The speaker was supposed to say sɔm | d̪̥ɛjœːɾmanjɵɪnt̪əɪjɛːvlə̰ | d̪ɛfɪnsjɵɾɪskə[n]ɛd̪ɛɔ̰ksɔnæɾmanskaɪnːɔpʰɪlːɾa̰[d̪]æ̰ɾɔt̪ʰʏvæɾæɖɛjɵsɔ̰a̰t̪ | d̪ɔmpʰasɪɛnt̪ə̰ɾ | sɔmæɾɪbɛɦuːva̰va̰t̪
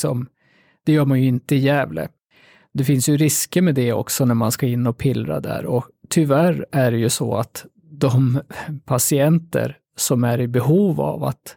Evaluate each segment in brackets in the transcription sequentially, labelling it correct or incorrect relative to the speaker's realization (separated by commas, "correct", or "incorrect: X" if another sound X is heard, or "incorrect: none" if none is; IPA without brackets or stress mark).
incorrect: m, correct